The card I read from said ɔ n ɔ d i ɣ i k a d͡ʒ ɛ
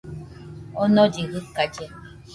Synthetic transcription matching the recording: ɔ n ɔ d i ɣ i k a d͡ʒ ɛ